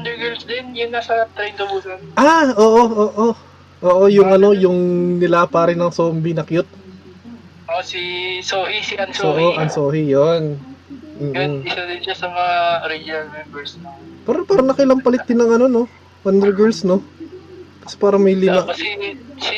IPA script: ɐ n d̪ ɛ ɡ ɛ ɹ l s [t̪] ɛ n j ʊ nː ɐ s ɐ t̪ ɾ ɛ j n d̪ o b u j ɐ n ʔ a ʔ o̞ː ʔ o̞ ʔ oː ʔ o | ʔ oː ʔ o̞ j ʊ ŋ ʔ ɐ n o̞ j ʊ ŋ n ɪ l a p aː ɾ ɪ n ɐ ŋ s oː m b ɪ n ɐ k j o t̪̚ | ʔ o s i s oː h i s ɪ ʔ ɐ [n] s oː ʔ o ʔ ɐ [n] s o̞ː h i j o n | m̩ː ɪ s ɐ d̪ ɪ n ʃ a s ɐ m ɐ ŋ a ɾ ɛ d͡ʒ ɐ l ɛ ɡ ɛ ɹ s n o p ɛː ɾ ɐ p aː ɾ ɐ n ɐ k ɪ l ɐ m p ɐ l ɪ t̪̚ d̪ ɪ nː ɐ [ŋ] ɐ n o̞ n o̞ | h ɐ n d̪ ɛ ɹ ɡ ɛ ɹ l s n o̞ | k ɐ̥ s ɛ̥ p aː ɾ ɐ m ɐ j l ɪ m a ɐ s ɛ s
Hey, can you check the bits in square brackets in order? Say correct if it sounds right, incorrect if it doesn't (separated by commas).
incorrect, correct, correct, correct